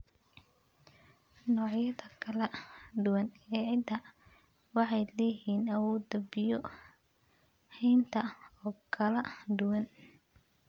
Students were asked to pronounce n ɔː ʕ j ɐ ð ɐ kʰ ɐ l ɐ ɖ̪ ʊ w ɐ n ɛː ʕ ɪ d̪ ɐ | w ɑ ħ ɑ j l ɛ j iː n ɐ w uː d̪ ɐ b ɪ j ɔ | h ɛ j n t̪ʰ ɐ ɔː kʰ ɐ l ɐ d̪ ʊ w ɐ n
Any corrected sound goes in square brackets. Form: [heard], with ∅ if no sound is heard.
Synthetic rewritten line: n ɔː ʕ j ɐ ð ɐ kʰ ɐ l ɐ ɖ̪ ʊ w ɐ n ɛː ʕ ɪ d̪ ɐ | w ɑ ħ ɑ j l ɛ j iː n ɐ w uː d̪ ɐ b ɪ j ɔ | h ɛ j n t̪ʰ ɐ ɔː kʰ ɐ l ɐ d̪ ʊ w ɐ n

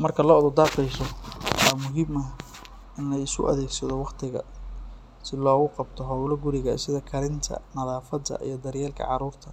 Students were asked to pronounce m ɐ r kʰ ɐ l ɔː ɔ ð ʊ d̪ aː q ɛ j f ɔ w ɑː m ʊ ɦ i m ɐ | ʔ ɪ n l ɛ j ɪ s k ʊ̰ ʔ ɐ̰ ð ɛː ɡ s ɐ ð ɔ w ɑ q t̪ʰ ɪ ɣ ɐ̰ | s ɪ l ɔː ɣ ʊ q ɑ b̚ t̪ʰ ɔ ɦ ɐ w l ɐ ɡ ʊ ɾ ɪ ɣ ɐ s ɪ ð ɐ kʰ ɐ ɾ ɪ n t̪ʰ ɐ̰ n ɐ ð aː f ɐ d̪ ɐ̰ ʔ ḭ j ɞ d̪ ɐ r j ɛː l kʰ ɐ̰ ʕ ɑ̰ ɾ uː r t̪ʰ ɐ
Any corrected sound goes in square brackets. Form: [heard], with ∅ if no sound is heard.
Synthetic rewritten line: m ɐ r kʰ ɐ l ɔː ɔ ð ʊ d̪ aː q ɛ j [s] ɔ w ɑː m ʊ ɦ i m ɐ | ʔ ɪ n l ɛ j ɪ s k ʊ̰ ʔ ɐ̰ ð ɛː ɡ s ɐ ð ɔ w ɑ q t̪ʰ ɪ ɣ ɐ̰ | s ɪ l ɔː ɣ ʊ q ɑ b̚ t̪ʰ ɔ ɦ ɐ w l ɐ ɡ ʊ ɾ ɪ ɣ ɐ s ɪ ð ɐ kʰ ɐ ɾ ɪ n t̪ʰ ɐ̰ n ɐ ð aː f ɐ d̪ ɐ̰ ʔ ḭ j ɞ d̪ ɐ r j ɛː l kʰ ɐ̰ ʕ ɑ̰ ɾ uː r t̪ʰ ɐ

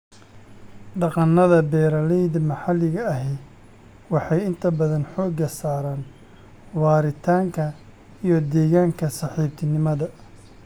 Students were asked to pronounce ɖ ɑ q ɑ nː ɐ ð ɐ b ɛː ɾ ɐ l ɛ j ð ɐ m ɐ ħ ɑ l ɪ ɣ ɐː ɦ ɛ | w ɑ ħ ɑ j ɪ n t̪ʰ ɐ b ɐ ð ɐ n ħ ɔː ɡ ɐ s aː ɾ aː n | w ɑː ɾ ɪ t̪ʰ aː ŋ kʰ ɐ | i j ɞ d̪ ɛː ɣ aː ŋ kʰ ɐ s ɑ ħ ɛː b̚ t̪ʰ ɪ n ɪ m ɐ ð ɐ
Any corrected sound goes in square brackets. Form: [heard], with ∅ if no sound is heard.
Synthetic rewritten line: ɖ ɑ q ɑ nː ɐ ð ɐ b ɛː ɾ ɐ l ɛ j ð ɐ m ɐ ħ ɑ l ɪ ɣ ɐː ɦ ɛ | w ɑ ħ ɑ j ɪ n t̪ʰ ɐ b ɐ ð ɐ n ħ ɔː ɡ ɐ s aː ɾ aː n | w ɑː ɾ ɪ t̪ʰ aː ŋ kʰ ɐ | i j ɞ d̪ ɛː ɣ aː ŋ kʰ ɐ s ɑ ħ [iː] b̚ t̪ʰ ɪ n ɪ m ɐ ð ɐ

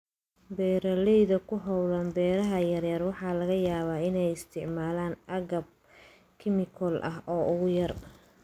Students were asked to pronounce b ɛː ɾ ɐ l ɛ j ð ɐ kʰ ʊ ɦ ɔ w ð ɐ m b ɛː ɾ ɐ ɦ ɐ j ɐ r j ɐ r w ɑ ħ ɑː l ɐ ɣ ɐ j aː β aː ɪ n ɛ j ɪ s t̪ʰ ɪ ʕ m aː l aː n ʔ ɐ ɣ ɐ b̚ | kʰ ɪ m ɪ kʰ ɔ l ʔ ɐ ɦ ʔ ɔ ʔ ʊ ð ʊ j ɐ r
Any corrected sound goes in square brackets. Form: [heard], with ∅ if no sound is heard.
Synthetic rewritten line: b ɛː ɾ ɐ l ɛ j ð ɐ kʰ ʊ ɦ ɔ w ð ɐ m b ɛː ɾ ɐ ɦ ɐ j ɐ r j ɐ r w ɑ ħ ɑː l ɐ ɣ ɐ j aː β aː ɪ n ɛ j ɪ s t̪ʰ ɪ ʕ m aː l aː n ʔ ɐ ɣ ɐ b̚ | kʰ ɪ m ɪ kʰ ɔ l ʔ ɐ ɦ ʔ [ɔː] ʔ ʊ [ɣ] ʊ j ɐ r

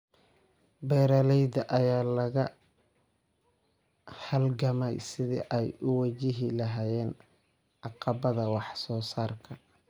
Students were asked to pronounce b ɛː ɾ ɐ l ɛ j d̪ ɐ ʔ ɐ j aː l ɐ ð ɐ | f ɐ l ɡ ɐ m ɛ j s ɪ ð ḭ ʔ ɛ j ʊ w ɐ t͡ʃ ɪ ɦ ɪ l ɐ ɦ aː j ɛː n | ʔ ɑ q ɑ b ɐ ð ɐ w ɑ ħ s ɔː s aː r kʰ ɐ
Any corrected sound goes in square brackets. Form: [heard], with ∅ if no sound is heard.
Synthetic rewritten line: b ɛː ɾ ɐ l ɛ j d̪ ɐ ʔ ɐ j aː l ɐ [ɣ] ɐ | [h] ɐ l ɡ ɐ m ɛ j s ɪ ð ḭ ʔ ɛ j ʊ w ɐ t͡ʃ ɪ ɦ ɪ l ɐ ɦ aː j ɛː n | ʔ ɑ q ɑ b ɐ ð ɐ w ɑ ħ s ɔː s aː r kʰ ɐ

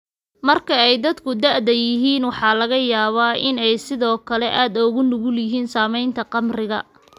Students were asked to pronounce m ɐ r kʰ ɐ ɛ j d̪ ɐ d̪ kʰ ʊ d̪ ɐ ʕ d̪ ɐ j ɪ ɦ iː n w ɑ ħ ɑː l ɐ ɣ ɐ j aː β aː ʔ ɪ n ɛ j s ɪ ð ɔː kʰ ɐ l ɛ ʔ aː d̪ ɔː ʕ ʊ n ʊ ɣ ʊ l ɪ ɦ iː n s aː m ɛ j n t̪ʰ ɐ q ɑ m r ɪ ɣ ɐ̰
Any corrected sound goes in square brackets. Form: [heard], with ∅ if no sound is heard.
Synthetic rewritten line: m ɐ r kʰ ɐ ɛ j d̪ ɐ d̪ kʰ ʊ d̪ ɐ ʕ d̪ ɐ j ɪ ɦ iː n w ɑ ħ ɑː l ɐ ɣ ɐ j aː β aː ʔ ɪ n ɛ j s ɪ ð ɔː kʰ ɐ l ɛ ʔ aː d̪ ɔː [ɣ] ʊ n ʊ ɣ ʊ l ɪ ɦ iː n s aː m ɛ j n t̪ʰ ɐ q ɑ m r ɪ ɣ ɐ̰

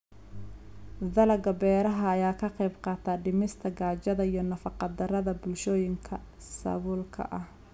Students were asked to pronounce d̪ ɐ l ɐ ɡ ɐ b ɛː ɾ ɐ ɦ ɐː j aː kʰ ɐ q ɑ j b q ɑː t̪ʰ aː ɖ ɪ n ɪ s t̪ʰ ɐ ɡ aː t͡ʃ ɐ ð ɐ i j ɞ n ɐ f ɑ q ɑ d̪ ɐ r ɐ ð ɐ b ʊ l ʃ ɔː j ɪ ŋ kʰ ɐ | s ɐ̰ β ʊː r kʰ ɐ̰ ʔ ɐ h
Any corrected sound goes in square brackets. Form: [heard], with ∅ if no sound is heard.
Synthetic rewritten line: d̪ ɐ l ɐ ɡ ɐ b ɛː ɾ ɐ ɦ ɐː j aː kʰ ɐ q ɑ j b q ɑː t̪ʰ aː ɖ ɪ [m] ɪ s t̪ʰ ɐ ɡ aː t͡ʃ ɐ ð ɐ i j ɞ n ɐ f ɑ q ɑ d̪ ɐ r ɐ ð ɐ b ʊ l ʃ ɔː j ɪ ŋ kʰ ɐ | s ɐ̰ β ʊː [l] kʰ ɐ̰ ʔ ɐ h

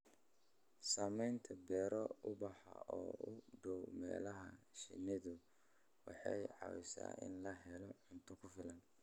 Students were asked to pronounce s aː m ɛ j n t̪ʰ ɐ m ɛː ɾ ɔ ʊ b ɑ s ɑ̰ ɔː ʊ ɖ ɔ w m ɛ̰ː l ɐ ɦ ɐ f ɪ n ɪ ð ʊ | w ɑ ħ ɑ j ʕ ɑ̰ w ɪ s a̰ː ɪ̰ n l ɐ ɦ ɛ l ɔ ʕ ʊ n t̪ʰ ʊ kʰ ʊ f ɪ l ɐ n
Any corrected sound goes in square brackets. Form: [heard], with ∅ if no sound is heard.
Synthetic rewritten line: s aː m ɛ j n t̪ʰ ɐ [b] ɛː ɾ ɔ ʊ b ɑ [ħ] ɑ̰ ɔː ʊ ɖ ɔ w m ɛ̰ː l ɐ ɦ ɐ [ʃ] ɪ n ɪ ð ʊ | w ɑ ħ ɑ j ʕ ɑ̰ w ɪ s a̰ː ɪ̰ n l ɐ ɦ ɛ l ɔ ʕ ʊ n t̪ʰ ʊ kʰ ʊ f ɪ l ɐ n

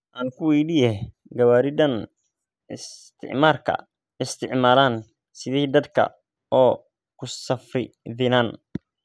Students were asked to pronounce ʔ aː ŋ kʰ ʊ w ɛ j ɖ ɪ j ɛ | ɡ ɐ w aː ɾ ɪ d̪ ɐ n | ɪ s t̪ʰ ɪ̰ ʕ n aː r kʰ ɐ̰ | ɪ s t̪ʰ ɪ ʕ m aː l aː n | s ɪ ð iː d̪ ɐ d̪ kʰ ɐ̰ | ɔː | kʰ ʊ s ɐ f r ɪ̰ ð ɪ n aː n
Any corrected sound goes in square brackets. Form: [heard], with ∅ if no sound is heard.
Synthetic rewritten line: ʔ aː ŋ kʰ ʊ w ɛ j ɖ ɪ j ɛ | ɡ ɐ w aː ɾ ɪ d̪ ɐ n | ɪ s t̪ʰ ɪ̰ ʕ [m] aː r kʰ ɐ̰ | ɪ s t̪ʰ ɪ ʕ m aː l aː n | s ɪ ð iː d̪ ɐ d̪ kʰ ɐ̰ | ɔː | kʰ ʊ s ɐ f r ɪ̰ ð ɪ n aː n

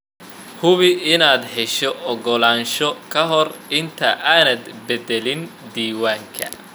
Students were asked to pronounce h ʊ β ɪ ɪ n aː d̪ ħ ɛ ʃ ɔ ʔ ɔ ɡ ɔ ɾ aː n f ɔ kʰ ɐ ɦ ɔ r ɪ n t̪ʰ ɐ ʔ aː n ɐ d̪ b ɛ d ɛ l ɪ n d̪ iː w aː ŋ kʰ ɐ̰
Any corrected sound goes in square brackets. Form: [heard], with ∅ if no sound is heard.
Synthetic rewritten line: h ʊ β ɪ ɪ n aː d̪ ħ ɛ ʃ ɔ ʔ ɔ ɡ ɔ [l] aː n [ʃ] ɔ kʰ ɐ ɦ ɔ r ɪ n t̪ʰ ɐ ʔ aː n ɐ d̪ b ɛ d ɛ l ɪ n d̪ iː w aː ŋ kʰ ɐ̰

